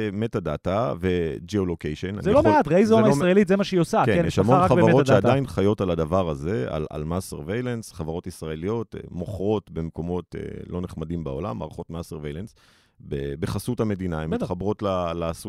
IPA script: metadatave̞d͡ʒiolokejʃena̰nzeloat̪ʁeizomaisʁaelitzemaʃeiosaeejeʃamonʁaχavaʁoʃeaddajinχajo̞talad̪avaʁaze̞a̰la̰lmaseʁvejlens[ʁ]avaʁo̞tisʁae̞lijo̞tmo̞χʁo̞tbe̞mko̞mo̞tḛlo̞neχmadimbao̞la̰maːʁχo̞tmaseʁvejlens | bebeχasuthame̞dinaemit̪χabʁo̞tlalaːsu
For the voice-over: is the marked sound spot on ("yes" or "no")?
no